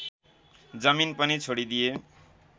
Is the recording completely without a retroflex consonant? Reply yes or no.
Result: no